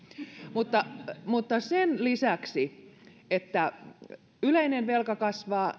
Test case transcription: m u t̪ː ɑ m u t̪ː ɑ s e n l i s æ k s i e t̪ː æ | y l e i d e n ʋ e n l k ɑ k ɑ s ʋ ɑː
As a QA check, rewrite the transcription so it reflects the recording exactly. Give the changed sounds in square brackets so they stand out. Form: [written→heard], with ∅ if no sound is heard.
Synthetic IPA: m u t̪ː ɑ m u t̪ː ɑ s e n l i s æ k s i e t̪ː æ | y l e i [d→n] e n ʋ e [n→∅] l k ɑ k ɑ s ʋ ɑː